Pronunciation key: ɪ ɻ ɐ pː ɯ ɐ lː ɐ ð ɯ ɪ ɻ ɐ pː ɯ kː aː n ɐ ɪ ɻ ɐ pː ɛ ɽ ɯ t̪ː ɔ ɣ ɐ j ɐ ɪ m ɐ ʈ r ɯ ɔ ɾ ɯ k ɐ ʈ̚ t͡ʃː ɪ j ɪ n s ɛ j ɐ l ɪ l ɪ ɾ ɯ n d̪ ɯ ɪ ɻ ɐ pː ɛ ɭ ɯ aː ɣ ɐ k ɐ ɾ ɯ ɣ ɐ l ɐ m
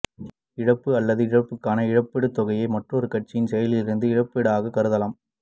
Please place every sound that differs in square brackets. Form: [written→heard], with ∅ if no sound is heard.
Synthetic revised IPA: ɪ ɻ ɐ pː ɯ ɐ lː ɐ ð ɯ ɪ ɻ ɐ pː ɯ kː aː n ɐ ɪ ɻ ɐ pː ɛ ɽ ɯ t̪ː ɔ ɣ ɐ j ɐ ɪ m ɐ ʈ r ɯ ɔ ɾ ɯ k ɐ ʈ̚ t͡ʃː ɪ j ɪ n s ɛ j ɐ l ɪ l ɪ ɾ ɯ n d̪ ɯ ɪ ɻ ɐ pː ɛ [ɭ→ɽ] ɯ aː ɣ ɐ k ɐ ɾ ɯ [ɣ→ð] ɐ l ɐ m